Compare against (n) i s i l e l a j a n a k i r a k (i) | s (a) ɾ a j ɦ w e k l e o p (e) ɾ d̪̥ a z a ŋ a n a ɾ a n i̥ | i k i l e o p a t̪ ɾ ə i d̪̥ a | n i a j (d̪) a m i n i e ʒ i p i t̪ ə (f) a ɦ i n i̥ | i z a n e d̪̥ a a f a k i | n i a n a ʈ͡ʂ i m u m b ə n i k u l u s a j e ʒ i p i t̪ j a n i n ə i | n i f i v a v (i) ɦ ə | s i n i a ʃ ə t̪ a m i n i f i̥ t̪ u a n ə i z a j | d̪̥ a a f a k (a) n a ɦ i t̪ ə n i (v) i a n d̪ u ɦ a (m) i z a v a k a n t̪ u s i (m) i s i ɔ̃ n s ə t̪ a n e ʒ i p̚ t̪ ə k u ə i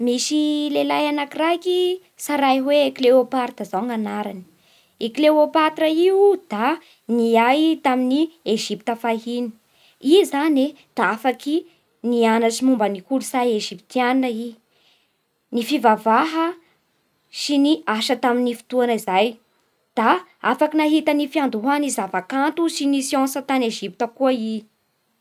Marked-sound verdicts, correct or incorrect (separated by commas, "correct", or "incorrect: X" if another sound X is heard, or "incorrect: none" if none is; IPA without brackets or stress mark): incorrect: m, correct, correct, incorrect: a, incorrect: t̪, correct, incorrect: a, incorrect: i, incorrect: f, incorrect: n, incorrect: n